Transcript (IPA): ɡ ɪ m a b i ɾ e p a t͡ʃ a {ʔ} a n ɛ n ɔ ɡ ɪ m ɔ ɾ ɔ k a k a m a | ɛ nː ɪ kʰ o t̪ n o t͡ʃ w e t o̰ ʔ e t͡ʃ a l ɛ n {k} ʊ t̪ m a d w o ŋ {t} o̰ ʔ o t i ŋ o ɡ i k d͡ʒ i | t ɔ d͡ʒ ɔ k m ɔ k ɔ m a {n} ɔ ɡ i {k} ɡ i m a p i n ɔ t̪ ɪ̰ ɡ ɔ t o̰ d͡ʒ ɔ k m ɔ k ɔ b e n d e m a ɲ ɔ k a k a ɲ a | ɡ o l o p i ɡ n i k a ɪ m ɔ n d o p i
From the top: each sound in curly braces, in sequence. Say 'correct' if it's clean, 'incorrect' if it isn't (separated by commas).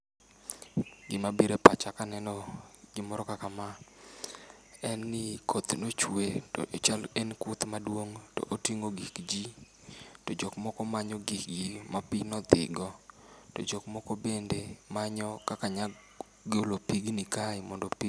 incorrect, correct, correct, incorrect, correct